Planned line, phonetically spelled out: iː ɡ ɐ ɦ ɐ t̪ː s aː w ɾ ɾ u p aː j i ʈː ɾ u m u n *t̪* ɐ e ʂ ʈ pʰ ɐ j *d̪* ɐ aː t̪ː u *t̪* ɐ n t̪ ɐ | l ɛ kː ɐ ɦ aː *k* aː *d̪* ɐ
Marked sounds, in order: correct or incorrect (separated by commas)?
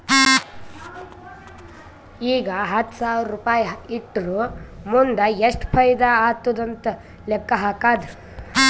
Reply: incorrect, correct, incorrect, correct, correct